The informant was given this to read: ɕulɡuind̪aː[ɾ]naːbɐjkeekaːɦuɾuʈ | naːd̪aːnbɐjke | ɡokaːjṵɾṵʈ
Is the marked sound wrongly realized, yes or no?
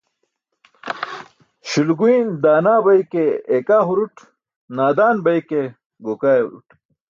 yes